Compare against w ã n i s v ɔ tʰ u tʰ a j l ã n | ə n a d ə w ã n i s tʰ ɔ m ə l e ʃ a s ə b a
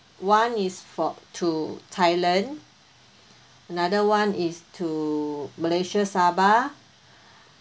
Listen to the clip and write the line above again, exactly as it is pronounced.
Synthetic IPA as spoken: w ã n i s f ɔ tʰ u tʰ a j l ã n | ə n a d ə w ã n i s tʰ u m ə l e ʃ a s a b a

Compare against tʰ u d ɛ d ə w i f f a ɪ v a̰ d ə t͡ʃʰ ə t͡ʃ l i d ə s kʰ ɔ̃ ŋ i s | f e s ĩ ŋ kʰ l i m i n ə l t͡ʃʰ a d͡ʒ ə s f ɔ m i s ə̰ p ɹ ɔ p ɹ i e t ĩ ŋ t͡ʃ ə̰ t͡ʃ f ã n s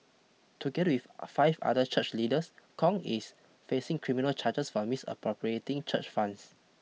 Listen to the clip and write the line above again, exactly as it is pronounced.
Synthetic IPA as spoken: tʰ u ɡ ɛ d ə w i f f a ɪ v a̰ d ə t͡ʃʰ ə t͡ʃ l i d ə s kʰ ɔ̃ ŋ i s | f e s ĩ ŋ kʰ ɹ i m i n ə l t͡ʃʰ a d͡ʒ ə s f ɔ m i s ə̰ p ɹ ɔ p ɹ i e t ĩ ŋ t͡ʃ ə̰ t͡ʃ f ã n s

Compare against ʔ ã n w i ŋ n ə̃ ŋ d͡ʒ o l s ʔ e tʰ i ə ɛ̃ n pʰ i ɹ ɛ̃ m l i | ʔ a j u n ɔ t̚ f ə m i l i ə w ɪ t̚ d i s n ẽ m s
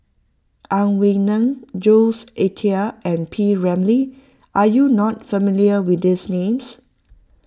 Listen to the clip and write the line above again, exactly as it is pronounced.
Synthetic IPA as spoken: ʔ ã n w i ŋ n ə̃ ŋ d͡ʒ o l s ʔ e tʰ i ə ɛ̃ n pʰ i ɹ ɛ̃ m l i | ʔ a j u n ɔ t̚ f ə m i l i ə w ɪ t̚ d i s n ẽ m s

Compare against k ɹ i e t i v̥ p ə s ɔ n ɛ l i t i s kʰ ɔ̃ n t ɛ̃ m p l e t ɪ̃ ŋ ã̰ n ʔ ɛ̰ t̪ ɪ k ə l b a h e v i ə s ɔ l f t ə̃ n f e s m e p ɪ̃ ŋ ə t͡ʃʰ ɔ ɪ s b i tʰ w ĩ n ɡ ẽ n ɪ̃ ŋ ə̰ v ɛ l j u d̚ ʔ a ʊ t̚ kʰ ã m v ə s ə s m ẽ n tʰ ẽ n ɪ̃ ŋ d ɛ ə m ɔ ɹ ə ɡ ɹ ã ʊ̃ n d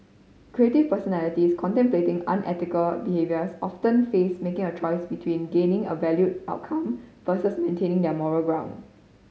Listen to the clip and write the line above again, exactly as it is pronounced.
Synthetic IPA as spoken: k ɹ i e t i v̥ p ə s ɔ n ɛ l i t i s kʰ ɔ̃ n t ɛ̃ m p l e t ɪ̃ ŋ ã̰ n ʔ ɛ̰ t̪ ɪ k ə l b i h e v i ə s ɔ f t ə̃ n f e s m e k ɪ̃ ŋ ə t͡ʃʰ ɔ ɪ s b i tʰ w ĩ n ɡ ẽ n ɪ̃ ŋ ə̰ v ɛ l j u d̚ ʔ a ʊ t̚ kʰ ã m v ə s ə s m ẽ n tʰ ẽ n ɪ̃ ŋ d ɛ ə m ɔ ɹ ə ɡ ɹ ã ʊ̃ n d

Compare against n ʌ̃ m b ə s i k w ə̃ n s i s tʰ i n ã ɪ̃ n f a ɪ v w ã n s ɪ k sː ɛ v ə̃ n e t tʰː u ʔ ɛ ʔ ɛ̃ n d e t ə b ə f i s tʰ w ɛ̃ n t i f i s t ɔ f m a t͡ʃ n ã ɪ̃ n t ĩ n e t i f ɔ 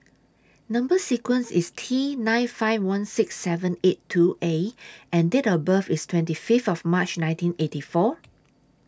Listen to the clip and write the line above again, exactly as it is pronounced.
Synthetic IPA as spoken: n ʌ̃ m b ə s i k w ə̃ n s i s tʰ i n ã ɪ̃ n f a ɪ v w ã n s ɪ k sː ɛ v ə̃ n e t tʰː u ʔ e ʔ ɛ̃ n d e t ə b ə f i s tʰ w ɛ̃ n t i f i f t ɔ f m a t͡ʃ n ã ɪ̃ n t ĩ n e t i f ɔ

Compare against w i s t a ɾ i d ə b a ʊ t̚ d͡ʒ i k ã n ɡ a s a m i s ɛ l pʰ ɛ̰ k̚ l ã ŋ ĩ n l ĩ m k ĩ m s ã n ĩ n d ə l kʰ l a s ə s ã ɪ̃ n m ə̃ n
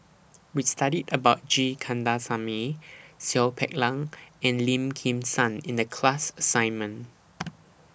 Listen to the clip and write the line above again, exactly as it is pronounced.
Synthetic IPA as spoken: w i s t a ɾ i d ə b a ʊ t̚ d͡ʒ i kʰ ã n d a s a m i s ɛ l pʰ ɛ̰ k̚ l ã ŋ ɛ̃ n l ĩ m kʰ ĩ m s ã n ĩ n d ə kʰ l a s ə s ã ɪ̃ n m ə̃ n

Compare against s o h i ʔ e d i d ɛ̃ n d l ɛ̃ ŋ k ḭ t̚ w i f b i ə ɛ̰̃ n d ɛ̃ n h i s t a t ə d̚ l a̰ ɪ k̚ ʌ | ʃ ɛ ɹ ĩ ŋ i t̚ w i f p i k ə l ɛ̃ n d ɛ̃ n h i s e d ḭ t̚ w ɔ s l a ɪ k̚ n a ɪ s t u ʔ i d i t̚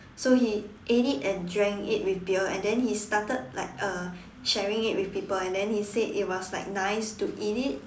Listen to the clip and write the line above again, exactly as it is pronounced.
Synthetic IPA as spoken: s o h i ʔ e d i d ɛ̃ n d ɹ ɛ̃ ŋ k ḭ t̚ w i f b i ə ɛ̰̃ n d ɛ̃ n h i s t a t ə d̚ l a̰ ɪ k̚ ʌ | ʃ ɛ ɹ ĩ ŋ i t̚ w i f p i p ə l ɛ̃ n d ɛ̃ n h i s e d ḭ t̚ w ɔ s l a ɪ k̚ n a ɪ s t u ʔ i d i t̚

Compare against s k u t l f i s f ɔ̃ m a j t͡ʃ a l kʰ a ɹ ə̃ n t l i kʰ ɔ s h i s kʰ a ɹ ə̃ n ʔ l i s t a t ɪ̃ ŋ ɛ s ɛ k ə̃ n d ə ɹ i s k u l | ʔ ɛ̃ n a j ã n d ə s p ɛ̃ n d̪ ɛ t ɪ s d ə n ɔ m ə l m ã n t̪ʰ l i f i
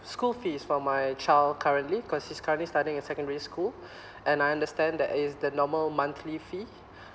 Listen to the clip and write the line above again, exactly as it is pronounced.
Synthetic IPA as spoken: s k u l f i s f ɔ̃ m a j t͡ʃ a l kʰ a ɹ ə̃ n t l i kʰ ɔ s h i s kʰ a ɹ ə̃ n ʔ l i s t a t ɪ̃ ŋ ɛ s ɛ k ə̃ n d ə ɹ i s k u l | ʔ ɛ̃ n a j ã n d ə s t ɛ̃ n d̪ ɛ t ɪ s d ə n ɔ m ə l m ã n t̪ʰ l i f i

